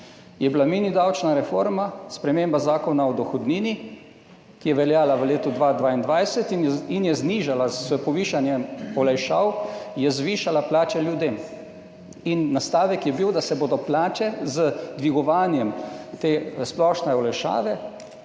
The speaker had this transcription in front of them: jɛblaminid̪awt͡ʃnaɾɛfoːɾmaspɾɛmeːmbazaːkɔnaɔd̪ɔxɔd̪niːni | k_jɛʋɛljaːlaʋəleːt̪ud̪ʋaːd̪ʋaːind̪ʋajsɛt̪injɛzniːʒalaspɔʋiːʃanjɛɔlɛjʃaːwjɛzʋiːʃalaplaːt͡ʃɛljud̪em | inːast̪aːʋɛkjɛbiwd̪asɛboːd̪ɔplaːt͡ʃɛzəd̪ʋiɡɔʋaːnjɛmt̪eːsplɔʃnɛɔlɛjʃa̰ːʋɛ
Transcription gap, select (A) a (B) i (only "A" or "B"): B